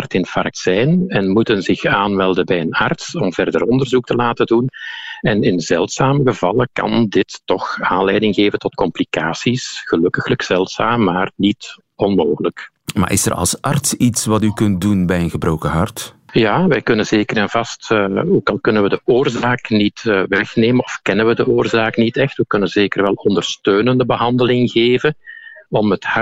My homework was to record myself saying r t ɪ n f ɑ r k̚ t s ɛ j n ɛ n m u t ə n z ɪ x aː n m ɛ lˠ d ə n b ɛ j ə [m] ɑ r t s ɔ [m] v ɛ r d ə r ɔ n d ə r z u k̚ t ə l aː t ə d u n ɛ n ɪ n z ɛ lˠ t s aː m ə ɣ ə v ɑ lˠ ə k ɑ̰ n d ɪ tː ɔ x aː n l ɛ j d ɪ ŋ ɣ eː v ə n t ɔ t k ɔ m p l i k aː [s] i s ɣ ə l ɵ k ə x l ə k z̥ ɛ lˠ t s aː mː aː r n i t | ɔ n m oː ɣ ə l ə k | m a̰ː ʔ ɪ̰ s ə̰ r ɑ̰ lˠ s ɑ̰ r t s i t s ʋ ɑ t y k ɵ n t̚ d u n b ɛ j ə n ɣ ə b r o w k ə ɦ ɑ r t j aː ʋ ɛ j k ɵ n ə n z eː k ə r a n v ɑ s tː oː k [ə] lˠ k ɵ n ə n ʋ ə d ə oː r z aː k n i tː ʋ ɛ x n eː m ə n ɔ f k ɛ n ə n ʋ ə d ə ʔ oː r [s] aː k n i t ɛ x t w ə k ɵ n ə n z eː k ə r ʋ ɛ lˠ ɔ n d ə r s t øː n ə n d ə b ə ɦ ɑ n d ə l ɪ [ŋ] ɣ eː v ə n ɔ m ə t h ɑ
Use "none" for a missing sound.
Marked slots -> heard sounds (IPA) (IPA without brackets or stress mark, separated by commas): n, m, s, ɑ, z, ŋ